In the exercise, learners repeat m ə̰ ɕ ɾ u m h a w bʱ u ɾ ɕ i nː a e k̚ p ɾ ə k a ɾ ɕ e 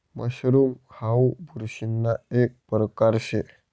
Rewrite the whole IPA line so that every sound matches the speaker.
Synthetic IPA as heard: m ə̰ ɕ ɾ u m h a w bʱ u ɾ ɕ i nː a e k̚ p ɾ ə k a ɾ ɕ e